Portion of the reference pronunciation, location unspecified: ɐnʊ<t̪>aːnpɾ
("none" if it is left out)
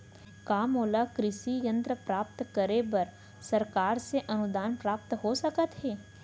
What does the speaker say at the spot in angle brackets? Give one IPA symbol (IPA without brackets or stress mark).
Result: d̪